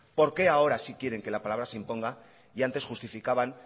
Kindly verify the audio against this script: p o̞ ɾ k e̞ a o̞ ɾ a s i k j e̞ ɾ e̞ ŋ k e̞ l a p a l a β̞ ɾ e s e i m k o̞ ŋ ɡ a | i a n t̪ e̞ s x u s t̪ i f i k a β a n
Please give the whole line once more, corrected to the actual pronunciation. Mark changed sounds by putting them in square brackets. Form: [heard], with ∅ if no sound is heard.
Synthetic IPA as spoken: p o̞ ɾ k e̞ a o̞ ɾ a s i k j e̞ ɾ e̞ ŋ k e̞ l a p a l a β̞ ɾ [a] s e i m [p] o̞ ŋ ɡ a | i a n t̪ e̞ s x u s t̪ i f i k a β a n

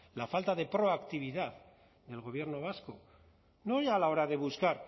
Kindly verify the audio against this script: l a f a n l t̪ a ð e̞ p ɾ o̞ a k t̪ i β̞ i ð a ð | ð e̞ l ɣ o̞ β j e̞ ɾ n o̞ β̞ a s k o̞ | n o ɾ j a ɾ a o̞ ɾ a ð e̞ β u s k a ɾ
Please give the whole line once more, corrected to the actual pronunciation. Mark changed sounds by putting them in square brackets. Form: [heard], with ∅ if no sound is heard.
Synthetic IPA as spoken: l a f a [∅] l t̪ a ð e̞ p ɾ o̞ a k t̪ i β̞ i ð a ð | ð e̞ l ɣ o̞ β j e̞ ɾ n o̞ β̞ a s k o̞ | n o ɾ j a [l] a o̞ ɾ a ð e̞ β u s k a ɾ

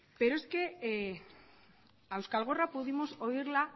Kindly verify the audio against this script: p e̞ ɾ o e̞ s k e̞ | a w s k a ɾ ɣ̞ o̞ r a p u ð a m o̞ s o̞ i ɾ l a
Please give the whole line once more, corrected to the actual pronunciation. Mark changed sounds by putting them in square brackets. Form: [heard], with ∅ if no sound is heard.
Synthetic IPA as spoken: p e̞ ɾ o e̞ s k e̞ | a w s k a [l] ɣ̞ o̞ r a p u ð [i] m o̞ s o̞ i ɾ l a

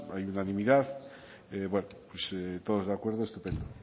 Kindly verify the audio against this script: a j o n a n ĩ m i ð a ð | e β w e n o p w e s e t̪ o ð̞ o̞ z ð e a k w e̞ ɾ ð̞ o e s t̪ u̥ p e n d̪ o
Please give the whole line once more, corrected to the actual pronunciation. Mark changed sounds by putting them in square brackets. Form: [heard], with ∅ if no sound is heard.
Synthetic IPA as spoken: a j [u] n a n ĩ m i ð a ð | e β w e n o p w e s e t̪ o ð̞ o̞ z ð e a k w e̞ ɾ ð̞ o e s t̪ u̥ p e n d̪ o

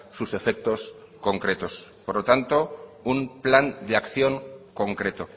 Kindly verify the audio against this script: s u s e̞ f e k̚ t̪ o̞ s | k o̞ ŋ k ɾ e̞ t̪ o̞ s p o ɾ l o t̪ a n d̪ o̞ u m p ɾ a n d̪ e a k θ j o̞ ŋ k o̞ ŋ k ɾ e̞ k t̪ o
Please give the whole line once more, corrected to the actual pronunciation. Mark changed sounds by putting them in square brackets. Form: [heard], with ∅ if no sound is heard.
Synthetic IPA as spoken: s u s e̞ f e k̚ t̪ o̞ s | k o̞ ŋ k ɾ e̞ t̪ o̞ s p o ɾ l o t̪ a n [t̪] o̞ u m p [l] a n d̪ e a k θ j o̞ ŋ k o̞ ŋ k ɾ e̞ [∅] t̪ o

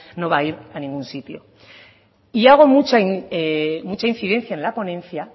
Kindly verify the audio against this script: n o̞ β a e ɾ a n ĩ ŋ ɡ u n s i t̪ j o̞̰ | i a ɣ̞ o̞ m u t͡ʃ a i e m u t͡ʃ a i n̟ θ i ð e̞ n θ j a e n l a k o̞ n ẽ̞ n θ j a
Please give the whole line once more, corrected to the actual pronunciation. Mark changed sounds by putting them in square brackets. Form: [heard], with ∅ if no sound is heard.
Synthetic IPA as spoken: n o̞ β a [i] ɾ a n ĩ ŋ ɡ u n s i t̪ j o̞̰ | i a ɣ̞ o̞ m u t͡ʃ a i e m u t͡ʃ a i n̟ θ i ð e̞ n θ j a e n l a [p] o̞ n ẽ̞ n θ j a

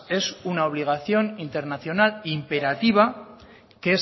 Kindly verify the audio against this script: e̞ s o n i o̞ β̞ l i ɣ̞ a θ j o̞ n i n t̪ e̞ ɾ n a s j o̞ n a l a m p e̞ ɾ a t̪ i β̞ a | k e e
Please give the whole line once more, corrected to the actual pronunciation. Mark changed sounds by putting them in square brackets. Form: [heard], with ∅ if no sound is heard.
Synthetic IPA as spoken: e̞ s [u] n [a] o̞ β̞ l i ɣ̞ a θ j o̞ n i n t̪ e̞ ɾ n a [θ] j o̞ n a l [i] m p e̞ ɾ a t̪ i β̞ a | k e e

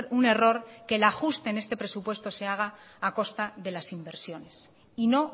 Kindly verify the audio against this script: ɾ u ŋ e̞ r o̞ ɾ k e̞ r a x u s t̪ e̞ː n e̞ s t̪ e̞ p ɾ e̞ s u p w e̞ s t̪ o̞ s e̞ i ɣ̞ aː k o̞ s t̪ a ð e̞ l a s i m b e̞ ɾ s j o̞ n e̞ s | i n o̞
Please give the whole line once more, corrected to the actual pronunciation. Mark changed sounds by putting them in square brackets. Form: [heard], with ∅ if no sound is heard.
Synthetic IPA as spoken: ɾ u [n] e̞ r o̞ ɾ k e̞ [l] a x u s t̪ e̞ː n e̞ s t̪ e̞ p ɾ e̞ s u p w e̞ s t̪ o̞ s e̞ [a] ɣ̞ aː k o̞ s t̪ a ð e̞ l a s i m b e̞ ɾ s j o̞ n e̞ s | i n o̞

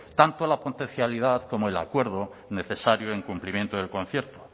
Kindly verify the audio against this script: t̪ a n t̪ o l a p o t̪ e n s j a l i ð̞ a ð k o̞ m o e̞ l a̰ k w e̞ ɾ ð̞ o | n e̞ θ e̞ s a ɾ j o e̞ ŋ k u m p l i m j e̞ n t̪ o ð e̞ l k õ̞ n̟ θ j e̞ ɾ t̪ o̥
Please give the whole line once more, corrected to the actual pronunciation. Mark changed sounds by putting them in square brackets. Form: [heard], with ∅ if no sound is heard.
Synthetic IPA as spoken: t̪ a n t̪ o l a p o t̪ e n [θ] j a l i ð̞ a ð k o̞ m o e̞ l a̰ k w e̞ ɾ ð̞ o | n e̞ θ e̞ s a ɾ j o e̞ ŋ k u m p l i m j e̞ n t̪ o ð e̞ l k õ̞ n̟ θ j e̞ ɾ t̪ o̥

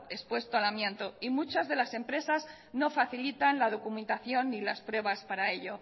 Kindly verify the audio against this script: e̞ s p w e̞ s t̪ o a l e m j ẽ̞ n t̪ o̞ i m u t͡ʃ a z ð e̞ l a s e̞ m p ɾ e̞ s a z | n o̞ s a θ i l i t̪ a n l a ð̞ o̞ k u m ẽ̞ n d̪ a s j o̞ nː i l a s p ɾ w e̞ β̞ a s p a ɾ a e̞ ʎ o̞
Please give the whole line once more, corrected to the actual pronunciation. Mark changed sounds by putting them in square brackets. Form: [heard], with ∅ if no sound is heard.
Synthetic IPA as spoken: e̞ s p w e̞ s t̪ o a l [a] m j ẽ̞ n t̪ o̞ i m u t͡ʃ a z ð e̞ l a s e̞ m p ɾ e̞ s a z | n o̞ [f] a θ i l i t̪ a n l a ð̞ o̞ k u m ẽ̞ n [t̪] a [θ] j o̞ nː i l a s p ɾ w e̞ β̞ a s p a ɾ a e̞ ʎ o̞

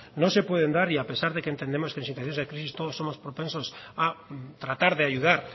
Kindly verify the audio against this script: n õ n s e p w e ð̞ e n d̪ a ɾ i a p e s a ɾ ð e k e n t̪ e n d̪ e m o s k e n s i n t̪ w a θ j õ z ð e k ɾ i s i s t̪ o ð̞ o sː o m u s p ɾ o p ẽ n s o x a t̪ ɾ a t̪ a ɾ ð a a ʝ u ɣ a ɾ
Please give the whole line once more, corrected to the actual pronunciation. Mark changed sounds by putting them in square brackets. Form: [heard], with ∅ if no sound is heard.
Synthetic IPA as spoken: n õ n s e p w e ð̞ e n d̪ a ɾ i a p e s a ɾ ð e k e n t̪ e n d̪ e m o s k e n s i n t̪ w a θ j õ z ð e k ɾ i s i s t̪ o ð̞ o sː o m [o] s p ɾ o p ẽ n s o [s] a t̪ ɾ a t̪ a ɾ ð [e] a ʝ u [ð] a ɾ

